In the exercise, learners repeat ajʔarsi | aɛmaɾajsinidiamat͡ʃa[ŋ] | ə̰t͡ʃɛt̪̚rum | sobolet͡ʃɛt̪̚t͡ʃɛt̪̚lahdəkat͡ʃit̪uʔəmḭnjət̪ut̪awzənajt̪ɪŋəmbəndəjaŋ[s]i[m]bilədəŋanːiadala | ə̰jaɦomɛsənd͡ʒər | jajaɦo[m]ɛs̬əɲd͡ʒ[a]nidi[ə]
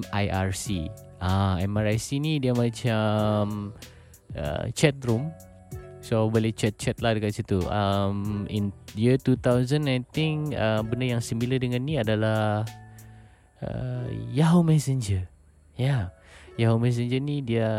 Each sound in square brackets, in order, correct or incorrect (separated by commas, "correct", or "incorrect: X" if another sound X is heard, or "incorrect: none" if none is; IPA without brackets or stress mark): incorrect: m, correct, correct, correct, incorrect: ə, incorrect: a